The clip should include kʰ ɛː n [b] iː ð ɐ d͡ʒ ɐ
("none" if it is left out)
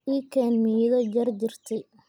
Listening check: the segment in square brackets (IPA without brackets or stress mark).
m